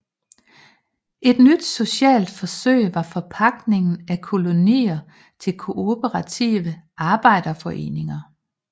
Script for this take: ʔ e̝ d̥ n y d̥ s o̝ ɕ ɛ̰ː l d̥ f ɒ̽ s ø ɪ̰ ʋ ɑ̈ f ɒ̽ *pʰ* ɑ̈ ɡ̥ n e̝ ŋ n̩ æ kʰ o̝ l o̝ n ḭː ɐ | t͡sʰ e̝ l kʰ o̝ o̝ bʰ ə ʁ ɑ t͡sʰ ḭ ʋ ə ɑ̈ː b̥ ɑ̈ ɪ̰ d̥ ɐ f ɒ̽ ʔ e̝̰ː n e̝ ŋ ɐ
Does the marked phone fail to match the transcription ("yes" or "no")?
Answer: no